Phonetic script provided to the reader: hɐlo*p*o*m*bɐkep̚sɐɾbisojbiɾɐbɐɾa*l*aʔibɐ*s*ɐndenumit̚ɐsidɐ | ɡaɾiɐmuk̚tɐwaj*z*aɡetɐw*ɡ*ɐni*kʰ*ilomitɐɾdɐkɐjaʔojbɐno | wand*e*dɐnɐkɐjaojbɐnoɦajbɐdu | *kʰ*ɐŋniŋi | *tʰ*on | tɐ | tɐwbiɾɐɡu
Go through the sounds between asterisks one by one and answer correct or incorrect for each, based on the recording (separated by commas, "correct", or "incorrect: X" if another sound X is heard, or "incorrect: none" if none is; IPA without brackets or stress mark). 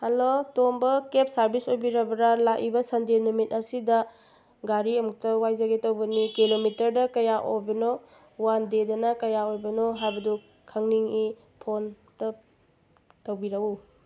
incorrect: t, correct, correct, correct, correct, incorrect: b, incorrect: k, correct, correct, incorrect: pʰ